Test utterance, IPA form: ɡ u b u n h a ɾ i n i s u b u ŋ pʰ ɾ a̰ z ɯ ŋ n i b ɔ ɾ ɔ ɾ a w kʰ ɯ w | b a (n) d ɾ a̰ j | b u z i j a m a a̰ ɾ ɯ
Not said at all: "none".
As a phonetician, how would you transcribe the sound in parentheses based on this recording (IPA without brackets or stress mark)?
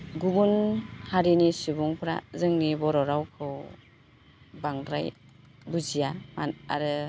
ŋ